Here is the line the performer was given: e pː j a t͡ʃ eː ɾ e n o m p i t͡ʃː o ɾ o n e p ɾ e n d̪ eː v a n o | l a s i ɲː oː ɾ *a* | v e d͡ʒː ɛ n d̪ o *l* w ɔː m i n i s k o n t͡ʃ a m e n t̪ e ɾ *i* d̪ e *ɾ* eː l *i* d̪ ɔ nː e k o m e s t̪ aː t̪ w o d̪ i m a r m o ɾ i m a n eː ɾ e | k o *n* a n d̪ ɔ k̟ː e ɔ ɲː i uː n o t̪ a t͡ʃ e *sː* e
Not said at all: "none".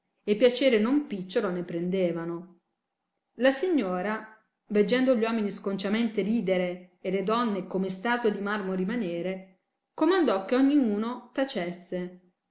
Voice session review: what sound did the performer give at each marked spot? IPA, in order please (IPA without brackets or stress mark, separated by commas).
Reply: a, ʎ, iː, ɾ, e, m, sː